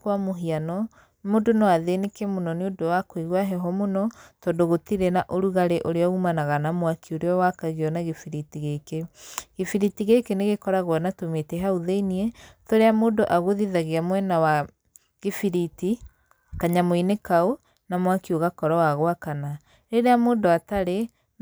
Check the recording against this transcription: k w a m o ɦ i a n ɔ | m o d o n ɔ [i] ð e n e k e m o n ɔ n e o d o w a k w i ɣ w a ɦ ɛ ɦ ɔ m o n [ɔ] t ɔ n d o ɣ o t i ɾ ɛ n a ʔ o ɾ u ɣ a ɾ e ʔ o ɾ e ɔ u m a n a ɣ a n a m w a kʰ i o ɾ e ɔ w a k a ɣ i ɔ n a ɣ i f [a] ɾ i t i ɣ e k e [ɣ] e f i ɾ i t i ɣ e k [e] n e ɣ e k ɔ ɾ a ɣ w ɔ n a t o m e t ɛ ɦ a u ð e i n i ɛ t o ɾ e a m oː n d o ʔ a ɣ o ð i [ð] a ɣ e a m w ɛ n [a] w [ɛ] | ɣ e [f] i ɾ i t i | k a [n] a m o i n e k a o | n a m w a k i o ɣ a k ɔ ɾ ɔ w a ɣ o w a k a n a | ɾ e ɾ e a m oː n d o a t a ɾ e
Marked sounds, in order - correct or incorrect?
incorrect, correct, incorrect, correct, correct, correct, correct, incorrect, correct, incorrect

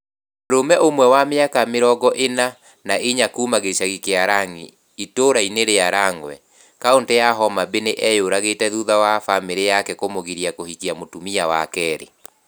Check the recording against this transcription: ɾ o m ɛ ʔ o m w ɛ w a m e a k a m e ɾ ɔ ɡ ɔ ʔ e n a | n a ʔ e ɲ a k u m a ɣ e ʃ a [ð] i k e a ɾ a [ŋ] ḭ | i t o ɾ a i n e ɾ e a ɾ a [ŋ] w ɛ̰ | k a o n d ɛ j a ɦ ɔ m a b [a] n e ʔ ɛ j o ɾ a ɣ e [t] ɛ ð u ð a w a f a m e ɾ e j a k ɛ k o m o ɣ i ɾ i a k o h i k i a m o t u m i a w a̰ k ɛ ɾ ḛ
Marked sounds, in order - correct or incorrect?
incorrect, correct, correct, incorrect, correct

